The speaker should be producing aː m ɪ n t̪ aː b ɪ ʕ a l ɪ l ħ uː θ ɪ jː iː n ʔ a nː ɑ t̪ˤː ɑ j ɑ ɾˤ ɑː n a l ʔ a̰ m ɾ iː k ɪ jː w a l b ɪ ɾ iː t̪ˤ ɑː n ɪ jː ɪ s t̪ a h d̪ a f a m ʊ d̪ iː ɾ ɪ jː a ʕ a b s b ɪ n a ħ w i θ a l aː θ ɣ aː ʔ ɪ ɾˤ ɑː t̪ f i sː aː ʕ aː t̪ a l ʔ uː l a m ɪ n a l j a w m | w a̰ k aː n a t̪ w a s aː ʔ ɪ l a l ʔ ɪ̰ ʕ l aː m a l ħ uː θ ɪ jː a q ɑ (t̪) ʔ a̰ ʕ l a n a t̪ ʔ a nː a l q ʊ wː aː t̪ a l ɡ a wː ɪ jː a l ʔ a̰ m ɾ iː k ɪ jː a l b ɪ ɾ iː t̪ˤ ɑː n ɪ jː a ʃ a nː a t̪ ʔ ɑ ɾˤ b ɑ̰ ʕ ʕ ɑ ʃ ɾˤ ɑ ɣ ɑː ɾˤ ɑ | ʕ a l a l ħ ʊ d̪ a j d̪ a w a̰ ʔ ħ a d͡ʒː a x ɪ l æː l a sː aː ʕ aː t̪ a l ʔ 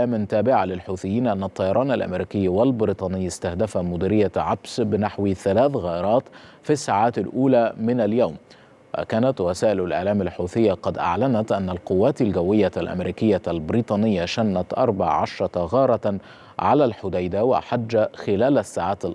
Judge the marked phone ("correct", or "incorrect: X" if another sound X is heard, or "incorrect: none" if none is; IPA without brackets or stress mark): incorrect: d̪